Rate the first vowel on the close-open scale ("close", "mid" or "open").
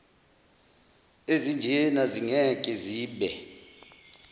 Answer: mid